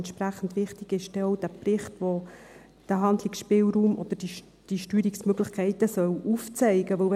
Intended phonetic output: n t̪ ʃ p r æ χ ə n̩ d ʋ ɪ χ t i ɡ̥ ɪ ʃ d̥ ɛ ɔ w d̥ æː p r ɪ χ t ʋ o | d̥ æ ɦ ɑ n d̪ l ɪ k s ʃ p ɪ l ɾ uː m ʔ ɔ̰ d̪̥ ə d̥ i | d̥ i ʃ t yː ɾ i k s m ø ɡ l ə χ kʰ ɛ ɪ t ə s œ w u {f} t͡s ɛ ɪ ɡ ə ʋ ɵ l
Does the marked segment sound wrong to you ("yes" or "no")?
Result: no